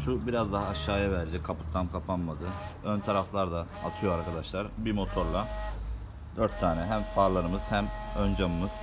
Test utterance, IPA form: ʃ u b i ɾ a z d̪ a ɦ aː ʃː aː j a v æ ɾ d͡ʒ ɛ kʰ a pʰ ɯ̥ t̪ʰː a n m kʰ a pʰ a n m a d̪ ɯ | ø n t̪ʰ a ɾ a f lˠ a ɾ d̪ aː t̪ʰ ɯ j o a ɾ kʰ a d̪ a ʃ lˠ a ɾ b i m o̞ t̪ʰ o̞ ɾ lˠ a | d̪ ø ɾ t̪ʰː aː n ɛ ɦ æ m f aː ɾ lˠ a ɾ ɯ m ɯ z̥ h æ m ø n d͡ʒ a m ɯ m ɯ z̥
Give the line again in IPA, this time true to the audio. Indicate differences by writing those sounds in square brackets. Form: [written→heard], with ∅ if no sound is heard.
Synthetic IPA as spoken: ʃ u b i ɾ a z d̪ a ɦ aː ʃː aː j a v æ ɾ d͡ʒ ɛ kʰ a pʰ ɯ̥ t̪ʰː a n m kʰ a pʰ a n m a d̪ ɯ | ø n t̪ʰ a ɾ a f lˠ a ɾ d̪ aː t̪ʰ ɯ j o a ɾ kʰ a d̪ a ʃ lˠ a ɾ b i m o̞ t̪ʰ o̞ ɾ lˠ a | d̪ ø ɾ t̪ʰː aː n ɛ ɦ æ m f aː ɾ lˠ a ɾ ɯ m ɯ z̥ h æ m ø n d͡ʒ a m ɯ m ɯ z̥